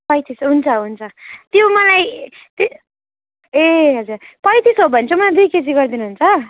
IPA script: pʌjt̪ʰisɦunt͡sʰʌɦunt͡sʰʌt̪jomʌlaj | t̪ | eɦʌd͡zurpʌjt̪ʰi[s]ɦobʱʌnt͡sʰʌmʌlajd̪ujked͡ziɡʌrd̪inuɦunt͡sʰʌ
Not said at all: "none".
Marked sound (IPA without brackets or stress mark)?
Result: s